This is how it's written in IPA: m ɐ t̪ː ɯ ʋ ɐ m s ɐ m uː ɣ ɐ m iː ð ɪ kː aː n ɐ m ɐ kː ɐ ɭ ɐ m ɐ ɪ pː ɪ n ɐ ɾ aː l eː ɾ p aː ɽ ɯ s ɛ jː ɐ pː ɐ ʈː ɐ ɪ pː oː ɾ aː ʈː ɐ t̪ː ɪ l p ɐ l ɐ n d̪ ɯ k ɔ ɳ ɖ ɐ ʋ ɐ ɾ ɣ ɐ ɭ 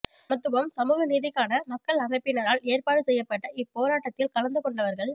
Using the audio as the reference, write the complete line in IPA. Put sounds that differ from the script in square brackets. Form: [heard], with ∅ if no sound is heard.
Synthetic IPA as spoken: m ɐ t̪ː ɯ ʋ ɐ m s ɐ m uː ɣ ɐ [n] iː ð ɪ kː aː n ɐ m ɐ kː ɐ ɭ ɐ m ɐ ɪ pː ɪ n ɐ ɾ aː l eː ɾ p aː ɽ ɯ s ɛ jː ɐ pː ɐ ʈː ɐ ɪ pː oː ɾ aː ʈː ɐ t̪ː ɪ l [k] ɐ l ɐ n d̪ ɯ k ɔ ɳ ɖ ɐ ʋ ɐ ɾ ɣ ɐ ɭ